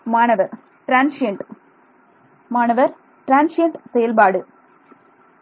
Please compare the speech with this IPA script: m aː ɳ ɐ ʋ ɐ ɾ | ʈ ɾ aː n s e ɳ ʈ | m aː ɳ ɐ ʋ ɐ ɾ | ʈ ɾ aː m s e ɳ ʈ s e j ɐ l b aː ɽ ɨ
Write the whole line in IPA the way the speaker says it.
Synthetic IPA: m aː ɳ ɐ ʋ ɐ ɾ | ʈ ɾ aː n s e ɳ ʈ | m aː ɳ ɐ ʋ ɐ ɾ | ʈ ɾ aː n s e ɳ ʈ s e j ɐ l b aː ɽ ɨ

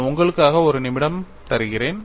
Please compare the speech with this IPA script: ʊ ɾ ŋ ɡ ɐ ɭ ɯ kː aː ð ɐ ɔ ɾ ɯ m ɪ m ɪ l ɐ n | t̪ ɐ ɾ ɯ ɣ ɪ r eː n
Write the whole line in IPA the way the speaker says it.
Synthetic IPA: ʊ ŋ ɡ ɐ ɭ ɯ kː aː ɣ ɐ ɔ ɾ ɯ n ɪ m ɪ ɽ ɐ m | t̪ ɐ ɾ ɯ ɣ ɪ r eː n

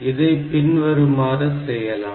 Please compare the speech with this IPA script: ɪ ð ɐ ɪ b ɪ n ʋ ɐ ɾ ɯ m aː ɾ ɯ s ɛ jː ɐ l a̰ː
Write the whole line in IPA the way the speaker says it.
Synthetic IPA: ɪ ð ɐ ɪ p ɪ n ʋ ɐ ɾ ɯ m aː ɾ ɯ s ɛ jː ɐ l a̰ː

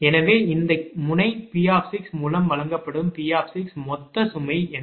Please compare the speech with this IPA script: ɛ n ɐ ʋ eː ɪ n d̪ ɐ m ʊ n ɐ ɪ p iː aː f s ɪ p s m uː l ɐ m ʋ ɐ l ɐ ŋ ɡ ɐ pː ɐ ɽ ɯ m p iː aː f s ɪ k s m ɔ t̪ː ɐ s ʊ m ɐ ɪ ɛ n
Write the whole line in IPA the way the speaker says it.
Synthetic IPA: ɛ n ɐ ʋ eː ɪ n d̪ ɐ m ʊ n ɐ ɪ p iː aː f s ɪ k s m uː l ɐ m ʋ ɐ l ɐ ŋ ɡ ɐ pː ɐ ɽ ɯ m p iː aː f s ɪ k s m ɔ t̪ː ɐ s ʊ m ɐ ɪ ɛ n

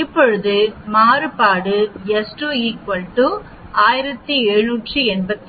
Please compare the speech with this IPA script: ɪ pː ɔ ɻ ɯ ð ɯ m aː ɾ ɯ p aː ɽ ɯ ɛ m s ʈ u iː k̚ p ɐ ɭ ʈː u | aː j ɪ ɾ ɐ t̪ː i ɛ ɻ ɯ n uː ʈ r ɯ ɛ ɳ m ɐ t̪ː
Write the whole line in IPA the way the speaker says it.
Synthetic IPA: ɪ pː ɔ ɻ ɯ ð ɯ m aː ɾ ɯ p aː ɽ ɯ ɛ s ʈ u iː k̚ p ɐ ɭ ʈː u | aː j ɪ ɾ ɐ t̪ː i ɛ ɻ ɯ n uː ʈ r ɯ ɛ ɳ b ɐ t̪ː

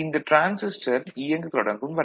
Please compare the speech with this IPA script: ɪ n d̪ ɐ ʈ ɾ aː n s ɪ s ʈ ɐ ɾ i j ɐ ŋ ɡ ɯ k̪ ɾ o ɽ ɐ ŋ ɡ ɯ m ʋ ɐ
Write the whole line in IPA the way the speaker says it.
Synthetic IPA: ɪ n d̪ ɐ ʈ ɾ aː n s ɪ s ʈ ɐ ɾ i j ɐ ŋ ɡ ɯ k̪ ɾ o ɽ ɐ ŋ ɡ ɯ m ʋ ɐ

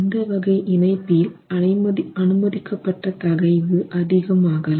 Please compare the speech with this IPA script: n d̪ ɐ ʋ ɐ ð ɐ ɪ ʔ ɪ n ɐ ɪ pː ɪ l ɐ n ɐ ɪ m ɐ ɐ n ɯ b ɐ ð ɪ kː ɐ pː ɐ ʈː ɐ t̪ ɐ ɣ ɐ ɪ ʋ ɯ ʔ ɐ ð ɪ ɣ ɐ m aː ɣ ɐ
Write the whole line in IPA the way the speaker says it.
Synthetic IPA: n d̪ ɐ ʋ ɐ ɣ ɐ ɪ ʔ ɪ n ɐ ɪ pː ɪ l ɐ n ɐ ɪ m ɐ ɐ n ɯ m ɐ ð ɪ kː ɐ pː ɐ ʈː ɐ t̪ ɐ ɣ ɐ ɪ ʋ ɯ ʔ ɐ ð ɪ ɣ ɐ m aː ɣ ɐ

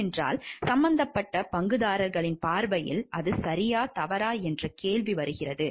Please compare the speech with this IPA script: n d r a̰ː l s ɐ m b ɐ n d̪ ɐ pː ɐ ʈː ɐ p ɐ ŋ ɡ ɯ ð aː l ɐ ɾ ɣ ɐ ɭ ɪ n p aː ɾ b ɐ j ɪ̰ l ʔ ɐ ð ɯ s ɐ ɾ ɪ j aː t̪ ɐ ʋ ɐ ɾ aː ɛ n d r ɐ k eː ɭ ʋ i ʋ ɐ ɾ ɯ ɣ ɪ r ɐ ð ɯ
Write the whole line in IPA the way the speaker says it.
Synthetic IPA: n d r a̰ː l s ɐ m b ɐ n d̪ ɐ pː ɐ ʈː ɐ p ɐ ŋ ɡ ɯ ð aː ɾ ɐ ɾ ɣ ɐ ɭ ɪ n p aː ɾ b ɐ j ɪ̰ l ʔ ɐ ð ɯ s ɐ ɾ ɪ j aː t̪ ɐ ʋ ɐ ɾ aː ɛ n d r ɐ k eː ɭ ʋ i ʋ ɐ ɾ ɯ ɣ ɪ r ɐ ð ɯ

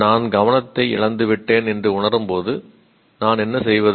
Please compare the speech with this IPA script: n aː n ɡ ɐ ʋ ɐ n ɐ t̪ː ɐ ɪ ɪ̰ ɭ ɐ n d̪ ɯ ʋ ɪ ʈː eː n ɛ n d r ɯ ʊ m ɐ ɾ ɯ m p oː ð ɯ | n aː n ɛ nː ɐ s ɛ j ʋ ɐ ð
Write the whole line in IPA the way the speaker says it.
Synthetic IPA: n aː n ɡ ɐ ʋ ɐ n ɐ t̪ː ɐ ɪ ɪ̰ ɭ ɐ n d̪ ɯ ʋ ɪ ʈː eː n ɛ n d r ɯ ʊ ɳ ɐ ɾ ɯ m p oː ð ɯ | n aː n ɛ nː ɐ s ɛ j ʋ ɐ ð

